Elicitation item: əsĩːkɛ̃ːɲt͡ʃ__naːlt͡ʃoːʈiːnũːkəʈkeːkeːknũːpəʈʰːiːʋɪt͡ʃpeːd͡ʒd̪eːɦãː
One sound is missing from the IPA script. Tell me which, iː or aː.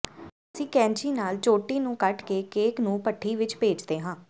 iː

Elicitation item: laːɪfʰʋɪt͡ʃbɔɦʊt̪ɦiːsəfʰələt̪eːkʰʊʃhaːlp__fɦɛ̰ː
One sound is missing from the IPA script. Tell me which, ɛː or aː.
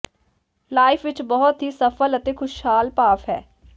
aː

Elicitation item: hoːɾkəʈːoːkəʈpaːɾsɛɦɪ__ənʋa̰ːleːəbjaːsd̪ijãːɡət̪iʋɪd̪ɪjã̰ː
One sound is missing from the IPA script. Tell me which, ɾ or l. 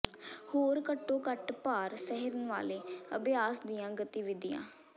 ɾ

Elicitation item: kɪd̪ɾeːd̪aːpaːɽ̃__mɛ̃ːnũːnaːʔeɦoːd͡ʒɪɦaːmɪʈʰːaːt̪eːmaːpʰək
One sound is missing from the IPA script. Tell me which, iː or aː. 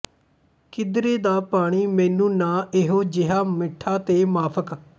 iː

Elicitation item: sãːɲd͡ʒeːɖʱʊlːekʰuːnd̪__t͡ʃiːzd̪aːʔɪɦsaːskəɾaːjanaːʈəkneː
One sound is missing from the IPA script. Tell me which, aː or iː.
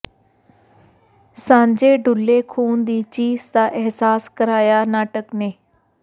iː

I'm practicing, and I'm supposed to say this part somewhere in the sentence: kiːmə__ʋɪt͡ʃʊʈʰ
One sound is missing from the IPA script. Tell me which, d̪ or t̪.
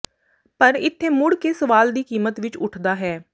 t̪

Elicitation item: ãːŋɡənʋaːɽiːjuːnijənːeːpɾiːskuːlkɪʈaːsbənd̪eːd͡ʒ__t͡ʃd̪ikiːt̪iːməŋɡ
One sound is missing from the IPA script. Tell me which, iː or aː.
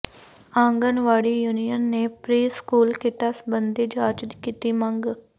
aː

